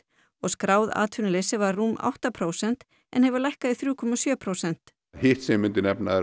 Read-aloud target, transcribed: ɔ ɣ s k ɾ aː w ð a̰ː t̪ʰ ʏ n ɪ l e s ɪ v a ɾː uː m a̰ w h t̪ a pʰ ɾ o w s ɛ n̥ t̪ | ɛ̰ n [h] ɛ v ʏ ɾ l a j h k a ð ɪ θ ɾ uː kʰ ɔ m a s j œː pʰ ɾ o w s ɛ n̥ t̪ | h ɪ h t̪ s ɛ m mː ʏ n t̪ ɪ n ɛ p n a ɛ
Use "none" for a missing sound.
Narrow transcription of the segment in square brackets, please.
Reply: h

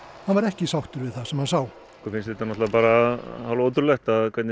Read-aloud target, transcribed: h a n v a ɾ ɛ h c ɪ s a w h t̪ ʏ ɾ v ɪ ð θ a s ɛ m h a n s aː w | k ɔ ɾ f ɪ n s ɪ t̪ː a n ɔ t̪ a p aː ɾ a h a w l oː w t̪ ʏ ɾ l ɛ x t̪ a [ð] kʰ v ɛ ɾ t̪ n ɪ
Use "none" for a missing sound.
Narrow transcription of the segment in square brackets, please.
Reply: ð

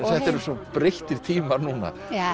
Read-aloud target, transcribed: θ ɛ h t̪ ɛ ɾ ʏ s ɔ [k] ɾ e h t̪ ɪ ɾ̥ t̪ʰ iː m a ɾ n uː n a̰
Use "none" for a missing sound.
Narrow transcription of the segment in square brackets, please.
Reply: p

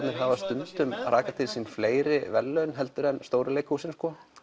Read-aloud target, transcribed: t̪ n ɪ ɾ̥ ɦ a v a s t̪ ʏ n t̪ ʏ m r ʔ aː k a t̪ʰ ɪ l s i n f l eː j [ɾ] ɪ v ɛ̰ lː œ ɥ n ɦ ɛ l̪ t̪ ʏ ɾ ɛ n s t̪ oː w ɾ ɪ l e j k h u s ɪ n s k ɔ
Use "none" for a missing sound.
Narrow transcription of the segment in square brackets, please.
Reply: ɾ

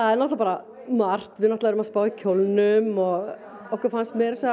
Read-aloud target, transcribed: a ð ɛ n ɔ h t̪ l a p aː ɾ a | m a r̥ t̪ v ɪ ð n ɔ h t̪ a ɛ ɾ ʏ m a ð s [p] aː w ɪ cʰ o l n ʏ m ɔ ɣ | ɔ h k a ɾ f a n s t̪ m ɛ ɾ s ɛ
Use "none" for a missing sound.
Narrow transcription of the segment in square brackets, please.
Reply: p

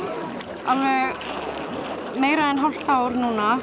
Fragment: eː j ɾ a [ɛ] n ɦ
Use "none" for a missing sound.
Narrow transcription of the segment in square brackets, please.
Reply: ɛ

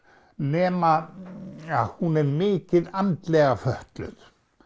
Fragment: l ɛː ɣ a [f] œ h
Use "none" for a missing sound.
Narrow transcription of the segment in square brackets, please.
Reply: f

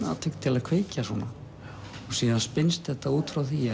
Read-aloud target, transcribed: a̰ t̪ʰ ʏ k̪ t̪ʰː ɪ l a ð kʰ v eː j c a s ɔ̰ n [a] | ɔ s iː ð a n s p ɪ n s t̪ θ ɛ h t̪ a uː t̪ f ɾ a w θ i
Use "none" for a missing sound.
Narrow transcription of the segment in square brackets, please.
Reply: a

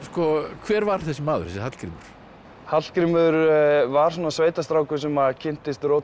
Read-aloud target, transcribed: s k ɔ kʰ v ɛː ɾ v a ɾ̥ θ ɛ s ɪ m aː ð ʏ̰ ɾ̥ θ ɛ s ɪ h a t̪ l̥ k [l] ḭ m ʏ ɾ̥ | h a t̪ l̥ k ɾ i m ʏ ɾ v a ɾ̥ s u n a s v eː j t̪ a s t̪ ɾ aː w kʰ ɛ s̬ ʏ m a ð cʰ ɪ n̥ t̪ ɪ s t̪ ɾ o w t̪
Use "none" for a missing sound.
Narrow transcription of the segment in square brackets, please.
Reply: ɾ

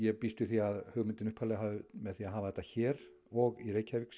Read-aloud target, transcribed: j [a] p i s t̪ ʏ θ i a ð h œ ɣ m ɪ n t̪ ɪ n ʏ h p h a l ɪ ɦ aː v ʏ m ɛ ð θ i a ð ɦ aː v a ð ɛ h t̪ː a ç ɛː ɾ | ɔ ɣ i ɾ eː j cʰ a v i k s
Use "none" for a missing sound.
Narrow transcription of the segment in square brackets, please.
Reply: ɛ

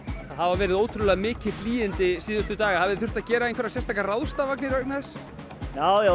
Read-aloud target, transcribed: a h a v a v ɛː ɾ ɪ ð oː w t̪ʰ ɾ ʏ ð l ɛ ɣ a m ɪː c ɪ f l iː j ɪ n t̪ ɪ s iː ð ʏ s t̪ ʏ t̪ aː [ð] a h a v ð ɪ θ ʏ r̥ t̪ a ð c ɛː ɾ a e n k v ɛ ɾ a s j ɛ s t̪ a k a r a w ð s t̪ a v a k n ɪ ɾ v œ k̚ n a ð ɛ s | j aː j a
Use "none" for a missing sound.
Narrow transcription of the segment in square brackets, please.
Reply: ɣ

